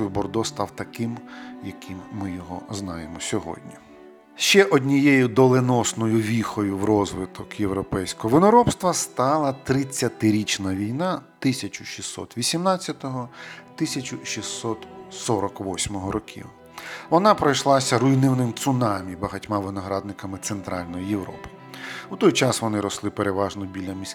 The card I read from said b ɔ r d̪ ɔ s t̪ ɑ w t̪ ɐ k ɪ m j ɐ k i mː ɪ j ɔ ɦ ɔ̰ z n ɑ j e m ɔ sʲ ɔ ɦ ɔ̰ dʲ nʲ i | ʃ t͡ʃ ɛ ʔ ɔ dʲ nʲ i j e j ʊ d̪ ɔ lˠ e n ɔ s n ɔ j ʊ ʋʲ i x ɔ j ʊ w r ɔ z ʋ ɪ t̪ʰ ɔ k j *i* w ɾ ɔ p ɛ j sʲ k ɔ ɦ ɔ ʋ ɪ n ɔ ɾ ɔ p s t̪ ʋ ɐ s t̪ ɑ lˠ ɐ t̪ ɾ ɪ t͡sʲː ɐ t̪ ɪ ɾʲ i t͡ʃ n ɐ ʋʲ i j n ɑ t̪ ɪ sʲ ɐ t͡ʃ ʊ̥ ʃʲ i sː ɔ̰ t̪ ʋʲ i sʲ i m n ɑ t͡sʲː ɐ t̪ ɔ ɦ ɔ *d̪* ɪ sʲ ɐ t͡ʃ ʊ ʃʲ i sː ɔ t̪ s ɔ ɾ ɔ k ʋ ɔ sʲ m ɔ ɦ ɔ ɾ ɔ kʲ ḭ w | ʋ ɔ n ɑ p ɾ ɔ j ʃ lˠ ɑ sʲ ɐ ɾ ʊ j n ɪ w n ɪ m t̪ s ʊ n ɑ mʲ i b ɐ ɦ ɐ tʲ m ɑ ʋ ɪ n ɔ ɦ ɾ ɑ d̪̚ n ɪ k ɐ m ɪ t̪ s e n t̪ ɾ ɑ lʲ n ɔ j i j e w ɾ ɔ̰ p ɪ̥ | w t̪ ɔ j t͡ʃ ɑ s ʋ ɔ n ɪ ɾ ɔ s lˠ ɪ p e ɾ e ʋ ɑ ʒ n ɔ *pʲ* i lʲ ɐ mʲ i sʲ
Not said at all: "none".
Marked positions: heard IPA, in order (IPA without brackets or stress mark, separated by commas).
e, t̪, bʲ